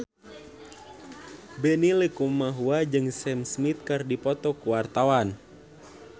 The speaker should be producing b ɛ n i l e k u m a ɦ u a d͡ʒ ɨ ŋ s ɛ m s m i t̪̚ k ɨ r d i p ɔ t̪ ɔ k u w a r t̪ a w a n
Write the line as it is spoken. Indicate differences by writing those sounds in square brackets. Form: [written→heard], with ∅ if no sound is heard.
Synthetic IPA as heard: b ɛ n i l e k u m a ɦ u a d͡ʒ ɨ ŋ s ɛ m s m i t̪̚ k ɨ r d i p ɔ t̪ ɔ k u w a r t̪ a w a n